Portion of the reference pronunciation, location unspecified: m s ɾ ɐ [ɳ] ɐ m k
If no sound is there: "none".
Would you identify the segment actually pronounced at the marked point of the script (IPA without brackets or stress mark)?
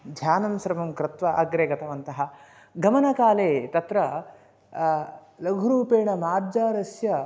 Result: m